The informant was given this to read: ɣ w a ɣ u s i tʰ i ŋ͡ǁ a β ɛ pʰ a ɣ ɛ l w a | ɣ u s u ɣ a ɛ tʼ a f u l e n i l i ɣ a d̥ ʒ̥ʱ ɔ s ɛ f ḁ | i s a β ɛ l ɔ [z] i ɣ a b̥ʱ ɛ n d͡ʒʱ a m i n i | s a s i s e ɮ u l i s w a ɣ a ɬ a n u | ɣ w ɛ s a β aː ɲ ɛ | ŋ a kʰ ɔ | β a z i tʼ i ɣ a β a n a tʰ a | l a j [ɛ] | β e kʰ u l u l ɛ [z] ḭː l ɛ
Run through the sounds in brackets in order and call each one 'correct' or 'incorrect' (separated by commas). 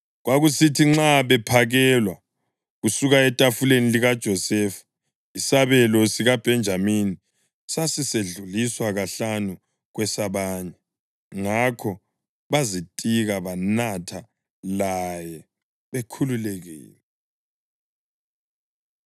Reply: incorrect, correct, incorrect